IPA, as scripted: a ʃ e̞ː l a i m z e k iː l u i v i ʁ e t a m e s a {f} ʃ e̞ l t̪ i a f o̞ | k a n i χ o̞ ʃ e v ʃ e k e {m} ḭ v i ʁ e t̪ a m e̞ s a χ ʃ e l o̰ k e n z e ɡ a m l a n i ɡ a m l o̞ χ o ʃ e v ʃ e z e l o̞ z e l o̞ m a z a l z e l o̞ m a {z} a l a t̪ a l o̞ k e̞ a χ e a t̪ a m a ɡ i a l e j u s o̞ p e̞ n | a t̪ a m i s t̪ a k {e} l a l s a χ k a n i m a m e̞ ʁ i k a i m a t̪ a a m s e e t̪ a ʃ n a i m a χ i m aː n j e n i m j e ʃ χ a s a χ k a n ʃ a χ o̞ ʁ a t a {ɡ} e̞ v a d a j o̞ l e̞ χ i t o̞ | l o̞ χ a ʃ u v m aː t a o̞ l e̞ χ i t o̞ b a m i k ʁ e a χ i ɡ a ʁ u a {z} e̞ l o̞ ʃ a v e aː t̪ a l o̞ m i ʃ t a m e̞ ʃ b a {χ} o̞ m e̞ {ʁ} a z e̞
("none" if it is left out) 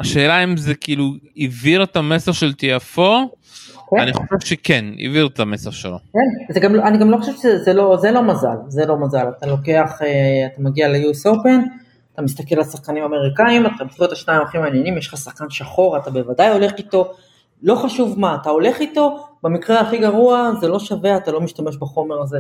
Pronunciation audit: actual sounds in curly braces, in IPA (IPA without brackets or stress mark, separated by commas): χ, n, z, e, b, z, χ, ʁ